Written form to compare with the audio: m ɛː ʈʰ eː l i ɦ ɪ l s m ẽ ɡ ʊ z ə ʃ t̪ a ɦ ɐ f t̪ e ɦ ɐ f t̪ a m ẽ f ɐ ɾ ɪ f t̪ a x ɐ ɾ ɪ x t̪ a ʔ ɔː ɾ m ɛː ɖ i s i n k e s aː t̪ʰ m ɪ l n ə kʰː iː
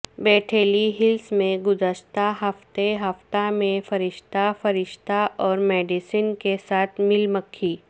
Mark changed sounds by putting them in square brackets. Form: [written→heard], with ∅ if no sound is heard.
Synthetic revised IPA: [m→b] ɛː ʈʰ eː l i ɦ ɪ l s m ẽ ɡ ʊ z ə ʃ t̪ a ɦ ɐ f t̪ e ɦ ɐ f t̪ a m ẽ f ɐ ɾ ɪ [f→ʃ] t̪ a [x→f] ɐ ɾ ɪ [x→ʃ] t̪ a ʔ ɔː ɾ m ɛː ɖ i s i n k e s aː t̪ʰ m ɪ l [n→m] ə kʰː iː